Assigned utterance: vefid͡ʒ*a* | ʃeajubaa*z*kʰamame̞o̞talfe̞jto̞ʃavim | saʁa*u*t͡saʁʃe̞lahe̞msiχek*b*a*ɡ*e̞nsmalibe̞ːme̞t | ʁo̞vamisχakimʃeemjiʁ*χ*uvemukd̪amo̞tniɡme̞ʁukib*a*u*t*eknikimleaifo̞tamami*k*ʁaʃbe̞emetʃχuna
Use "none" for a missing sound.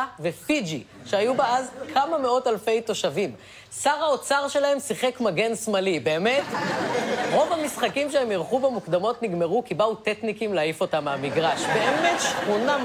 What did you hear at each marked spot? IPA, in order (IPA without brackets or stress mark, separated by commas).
i, z, o, m, ɡ, χ, a, t, ɡ